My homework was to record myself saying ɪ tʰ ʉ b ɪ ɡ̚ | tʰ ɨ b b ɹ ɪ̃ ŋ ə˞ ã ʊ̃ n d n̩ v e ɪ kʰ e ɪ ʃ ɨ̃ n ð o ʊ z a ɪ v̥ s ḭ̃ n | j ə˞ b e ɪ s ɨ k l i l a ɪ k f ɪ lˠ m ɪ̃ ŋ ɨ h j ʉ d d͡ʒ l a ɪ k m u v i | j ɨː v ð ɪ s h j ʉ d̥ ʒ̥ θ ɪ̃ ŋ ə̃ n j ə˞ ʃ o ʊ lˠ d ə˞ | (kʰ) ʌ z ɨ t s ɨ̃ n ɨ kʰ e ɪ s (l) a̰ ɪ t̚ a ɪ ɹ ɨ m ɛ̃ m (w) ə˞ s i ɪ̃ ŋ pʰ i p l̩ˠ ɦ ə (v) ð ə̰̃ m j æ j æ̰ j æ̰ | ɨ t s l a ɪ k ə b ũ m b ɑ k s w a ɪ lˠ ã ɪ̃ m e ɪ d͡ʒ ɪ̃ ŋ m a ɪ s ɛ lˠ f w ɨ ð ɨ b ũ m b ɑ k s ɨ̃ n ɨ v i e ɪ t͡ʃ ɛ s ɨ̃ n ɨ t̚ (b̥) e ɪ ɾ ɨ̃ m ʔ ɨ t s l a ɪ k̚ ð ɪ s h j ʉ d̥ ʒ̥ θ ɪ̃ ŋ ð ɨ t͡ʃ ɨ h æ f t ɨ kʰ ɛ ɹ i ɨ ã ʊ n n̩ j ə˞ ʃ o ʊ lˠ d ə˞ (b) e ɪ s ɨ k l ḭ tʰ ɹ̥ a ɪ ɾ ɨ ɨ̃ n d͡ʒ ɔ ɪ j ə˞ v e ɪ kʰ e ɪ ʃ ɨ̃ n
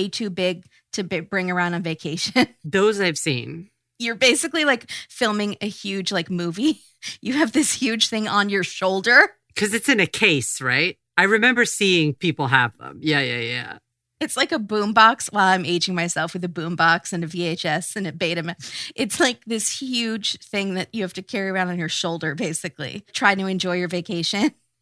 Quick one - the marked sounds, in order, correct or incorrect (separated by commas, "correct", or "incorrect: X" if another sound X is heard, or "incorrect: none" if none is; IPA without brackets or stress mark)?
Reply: correct, incorrect: ɹ, incorrect: b, correct, correct, correct